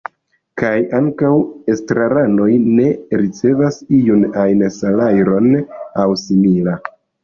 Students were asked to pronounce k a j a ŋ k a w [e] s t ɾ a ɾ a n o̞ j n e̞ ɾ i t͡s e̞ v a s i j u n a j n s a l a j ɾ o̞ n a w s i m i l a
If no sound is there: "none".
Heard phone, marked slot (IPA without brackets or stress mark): e